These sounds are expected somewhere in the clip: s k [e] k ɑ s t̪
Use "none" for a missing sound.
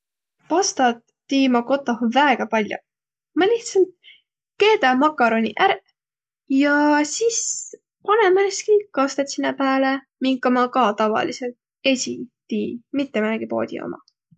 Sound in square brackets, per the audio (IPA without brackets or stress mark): i